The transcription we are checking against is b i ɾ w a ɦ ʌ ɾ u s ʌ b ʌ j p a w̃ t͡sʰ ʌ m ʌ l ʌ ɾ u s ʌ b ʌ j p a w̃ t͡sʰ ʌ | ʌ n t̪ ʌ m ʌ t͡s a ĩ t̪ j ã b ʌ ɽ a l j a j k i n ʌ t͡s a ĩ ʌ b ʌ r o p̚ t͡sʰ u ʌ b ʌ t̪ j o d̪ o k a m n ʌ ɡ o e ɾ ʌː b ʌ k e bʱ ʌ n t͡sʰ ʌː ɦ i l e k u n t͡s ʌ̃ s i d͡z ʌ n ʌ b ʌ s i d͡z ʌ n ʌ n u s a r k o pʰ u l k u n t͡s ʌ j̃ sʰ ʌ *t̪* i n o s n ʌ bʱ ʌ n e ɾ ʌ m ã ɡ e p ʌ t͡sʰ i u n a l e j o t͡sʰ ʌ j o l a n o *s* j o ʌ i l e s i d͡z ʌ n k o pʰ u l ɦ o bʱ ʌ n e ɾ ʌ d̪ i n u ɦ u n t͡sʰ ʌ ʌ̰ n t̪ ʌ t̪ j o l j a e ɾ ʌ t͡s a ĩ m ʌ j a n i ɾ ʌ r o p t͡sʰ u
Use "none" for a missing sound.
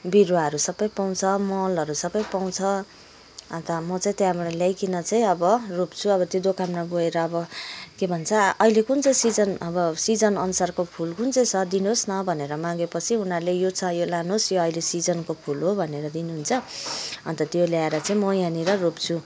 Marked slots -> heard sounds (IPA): d̪, s

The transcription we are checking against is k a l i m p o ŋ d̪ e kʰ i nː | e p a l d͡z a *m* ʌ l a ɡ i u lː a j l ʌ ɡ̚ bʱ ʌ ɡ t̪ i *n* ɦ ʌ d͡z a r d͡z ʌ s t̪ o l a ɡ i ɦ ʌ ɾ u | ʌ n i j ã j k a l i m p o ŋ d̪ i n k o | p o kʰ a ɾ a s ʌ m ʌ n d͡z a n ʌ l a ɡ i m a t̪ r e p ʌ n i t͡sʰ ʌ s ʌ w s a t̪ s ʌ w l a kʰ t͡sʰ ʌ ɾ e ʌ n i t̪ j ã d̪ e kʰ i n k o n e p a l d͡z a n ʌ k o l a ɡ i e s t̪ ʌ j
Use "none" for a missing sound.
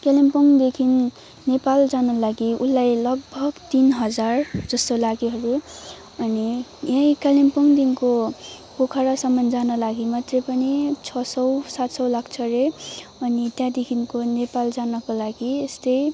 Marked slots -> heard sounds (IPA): n, n

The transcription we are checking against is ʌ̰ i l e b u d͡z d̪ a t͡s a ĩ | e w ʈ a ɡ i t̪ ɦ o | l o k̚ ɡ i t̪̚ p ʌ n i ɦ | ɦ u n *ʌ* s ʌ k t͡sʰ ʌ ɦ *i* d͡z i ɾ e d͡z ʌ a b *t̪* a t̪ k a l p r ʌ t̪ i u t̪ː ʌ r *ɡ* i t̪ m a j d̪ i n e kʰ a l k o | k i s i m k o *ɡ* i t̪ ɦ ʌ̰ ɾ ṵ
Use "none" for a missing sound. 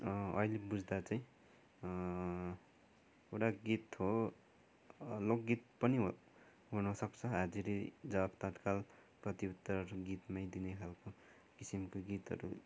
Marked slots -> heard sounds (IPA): ʌ, a, t̪, ɡ, ɡ

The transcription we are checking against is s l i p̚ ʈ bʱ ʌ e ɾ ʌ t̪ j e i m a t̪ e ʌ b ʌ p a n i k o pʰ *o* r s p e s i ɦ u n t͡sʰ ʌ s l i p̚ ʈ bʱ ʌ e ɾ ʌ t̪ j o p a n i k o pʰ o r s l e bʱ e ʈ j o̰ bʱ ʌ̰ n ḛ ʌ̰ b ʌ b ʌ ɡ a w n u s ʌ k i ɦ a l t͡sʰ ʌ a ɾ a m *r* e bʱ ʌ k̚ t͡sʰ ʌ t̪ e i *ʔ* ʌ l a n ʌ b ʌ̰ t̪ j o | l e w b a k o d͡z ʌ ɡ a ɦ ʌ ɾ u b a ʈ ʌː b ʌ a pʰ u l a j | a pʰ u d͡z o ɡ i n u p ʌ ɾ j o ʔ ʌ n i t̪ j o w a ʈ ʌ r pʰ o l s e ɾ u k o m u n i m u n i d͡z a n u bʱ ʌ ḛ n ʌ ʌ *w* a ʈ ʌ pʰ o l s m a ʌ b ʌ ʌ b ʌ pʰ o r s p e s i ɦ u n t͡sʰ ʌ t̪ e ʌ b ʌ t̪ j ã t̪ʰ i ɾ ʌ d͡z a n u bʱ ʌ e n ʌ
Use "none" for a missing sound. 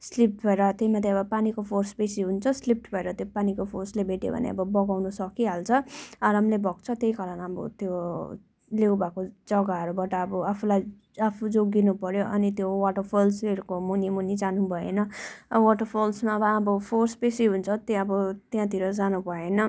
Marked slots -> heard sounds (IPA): o, l, k, w

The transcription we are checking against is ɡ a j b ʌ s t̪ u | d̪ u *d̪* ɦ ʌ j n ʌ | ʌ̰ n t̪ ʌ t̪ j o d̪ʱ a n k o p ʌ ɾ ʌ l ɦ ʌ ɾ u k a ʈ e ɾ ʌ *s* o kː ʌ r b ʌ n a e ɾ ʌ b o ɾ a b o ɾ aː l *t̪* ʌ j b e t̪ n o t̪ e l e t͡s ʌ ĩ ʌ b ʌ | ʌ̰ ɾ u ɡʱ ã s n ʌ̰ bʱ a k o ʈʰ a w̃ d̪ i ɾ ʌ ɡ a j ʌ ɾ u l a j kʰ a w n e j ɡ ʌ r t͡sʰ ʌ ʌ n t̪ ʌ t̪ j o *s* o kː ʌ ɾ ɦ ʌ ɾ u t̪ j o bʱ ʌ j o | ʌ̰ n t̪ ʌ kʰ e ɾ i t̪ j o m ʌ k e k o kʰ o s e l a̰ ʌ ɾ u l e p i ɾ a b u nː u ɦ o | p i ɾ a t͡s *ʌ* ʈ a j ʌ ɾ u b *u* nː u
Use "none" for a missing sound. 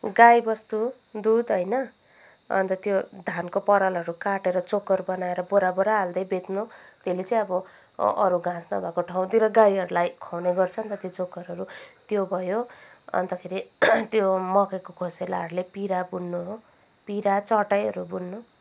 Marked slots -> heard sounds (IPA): d̪, t͡s, d̪, t͡s, ʌ, u

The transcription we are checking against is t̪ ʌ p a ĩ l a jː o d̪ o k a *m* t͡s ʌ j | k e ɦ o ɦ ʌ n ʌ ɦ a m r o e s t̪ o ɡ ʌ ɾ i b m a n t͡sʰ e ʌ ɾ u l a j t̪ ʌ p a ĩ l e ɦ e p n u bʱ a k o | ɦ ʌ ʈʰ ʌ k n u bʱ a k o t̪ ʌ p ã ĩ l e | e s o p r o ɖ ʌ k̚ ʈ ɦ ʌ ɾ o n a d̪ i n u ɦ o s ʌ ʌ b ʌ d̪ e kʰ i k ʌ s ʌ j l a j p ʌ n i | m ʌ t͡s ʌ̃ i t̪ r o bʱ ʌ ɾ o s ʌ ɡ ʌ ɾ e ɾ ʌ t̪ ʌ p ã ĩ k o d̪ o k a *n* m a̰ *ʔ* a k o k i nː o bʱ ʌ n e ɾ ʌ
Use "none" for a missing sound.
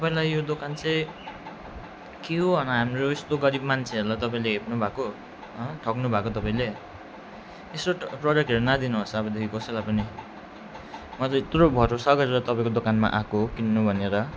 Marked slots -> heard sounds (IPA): n, n, ʔ

